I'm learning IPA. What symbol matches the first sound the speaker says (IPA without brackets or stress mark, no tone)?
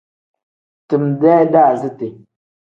t